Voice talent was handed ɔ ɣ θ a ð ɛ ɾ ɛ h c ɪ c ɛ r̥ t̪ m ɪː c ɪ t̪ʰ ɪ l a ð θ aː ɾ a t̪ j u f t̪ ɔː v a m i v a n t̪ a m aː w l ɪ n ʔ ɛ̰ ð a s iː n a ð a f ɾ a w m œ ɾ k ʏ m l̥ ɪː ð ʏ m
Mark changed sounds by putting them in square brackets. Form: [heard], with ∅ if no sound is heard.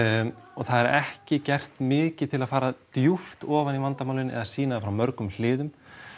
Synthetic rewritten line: ɔ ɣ θ a ð ɛ ɾ ɛ h c ɪ c ɛ r̥ t̪ m ɪː c ɪ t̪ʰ ɪ l a ð [f] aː ɾ a t̪ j u f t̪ ɔː v a [n] i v a n t̪ a m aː w l ɪ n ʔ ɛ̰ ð a s iː n a ð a f ɾ a w m œ ɾ k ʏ m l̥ ɪː ð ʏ m